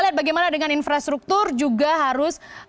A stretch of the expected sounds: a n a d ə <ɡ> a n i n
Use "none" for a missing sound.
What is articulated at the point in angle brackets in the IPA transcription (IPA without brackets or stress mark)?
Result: ŋ